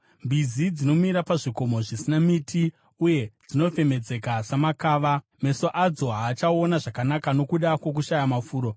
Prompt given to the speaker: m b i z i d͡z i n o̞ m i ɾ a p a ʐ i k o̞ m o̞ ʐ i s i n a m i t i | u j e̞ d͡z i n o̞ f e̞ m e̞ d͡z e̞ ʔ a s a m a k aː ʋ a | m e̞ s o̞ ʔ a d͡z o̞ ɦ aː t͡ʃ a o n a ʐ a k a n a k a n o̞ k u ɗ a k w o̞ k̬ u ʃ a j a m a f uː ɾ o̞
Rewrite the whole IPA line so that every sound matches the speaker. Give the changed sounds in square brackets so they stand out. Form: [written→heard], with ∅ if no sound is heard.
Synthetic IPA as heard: m b i z i d͡z i n o̞ m i ɾ a p a ʐ i k o̞ m o̞ ʐ i s i n a m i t i | u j e̞ d͡z i n o̞ f e̞ m e̞ d͡z e̞ [ʔ→k] a s a m a k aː ʋ a | m e̞ s o̞ ʔ a d͡z o̞ ɦ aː t͡ʃ a o n a ʐ a k a n a k a n o̞ k u ɗ a k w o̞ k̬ u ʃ a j a m a f uː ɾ o̞